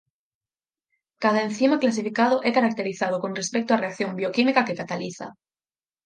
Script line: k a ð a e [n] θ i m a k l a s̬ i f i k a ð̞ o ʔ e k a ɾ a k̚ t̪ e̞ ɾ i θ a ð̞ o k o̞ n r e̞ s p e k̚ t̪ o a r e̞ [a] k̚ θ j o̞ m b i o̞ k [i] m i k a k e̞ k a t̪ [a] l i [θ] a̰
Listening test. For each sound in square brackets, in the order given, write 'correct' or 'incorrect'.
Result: correct, correct, correct, correct, correct

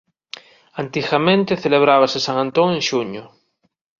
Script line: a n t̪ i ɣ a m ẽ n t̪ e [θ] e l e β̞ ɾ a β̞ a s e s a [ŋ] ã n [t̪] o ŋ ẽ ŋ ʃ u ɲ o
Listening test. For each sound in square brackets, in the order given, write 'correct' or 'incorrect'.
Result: correct, correct, correct

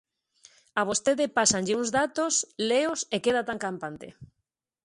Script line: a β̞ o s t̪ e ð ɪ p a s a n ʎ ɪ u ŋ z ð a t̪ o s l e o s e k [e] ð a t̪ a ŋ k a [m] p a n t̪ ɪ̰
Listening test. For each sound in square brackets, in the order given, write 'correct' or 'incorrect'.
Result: correct, correct

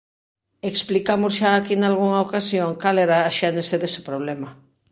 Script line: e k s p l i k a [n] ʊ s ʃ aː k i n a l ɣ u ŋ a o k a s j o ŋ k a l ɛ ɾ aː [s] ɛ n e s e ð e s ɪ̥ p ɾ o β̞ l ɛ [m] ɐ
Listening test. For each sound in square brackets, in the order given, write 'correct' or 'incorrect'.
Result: incorrect, incorrect, correct

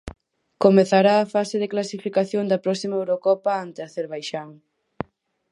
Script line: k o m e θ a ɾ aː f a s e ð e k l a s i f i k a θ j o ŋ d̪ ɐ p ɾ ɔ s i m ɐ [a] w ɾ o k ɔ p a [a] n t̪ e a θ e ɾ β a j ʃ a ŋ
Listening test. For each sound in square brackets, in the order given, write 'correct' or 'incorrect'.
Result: incorrect, correct

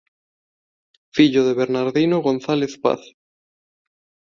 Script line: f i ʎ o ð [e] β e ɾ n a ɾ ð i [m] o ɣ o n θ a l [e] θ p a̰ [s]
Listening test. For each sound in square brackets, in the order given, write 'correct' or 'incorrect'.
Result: correct, incorrect, correct, incorrect

